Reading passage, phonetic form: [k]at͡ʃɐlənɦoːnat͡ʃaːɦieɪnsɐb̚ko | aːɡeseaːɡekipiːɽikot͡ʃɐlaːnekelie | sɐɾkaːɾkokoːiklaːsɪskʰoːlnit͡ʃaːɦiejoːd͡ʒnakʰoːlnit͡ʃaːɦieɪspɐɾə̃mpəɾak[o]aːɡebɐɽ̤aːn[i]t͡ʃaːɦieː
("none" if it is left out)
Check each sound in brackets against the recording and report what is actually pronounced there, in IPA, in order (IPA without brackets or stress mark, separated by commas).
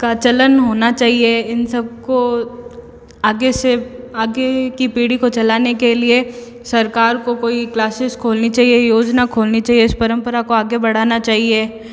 k, o, a